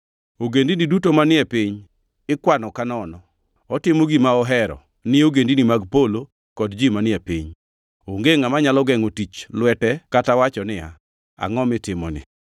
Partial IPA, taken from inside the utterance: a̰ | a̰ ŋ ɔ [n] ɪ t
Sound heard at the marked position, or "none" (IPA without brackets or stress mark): m